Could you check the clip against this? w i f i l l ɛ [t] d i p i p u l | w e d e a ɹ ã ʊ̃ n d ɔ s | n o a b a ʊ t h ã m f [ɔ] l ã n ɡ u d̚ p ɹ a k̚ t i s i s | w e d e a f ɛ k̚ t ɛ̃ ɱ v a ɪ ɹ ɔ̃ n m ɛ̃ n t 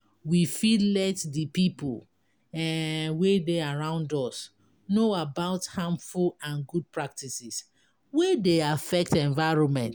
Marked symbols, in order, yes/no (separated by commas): yes, no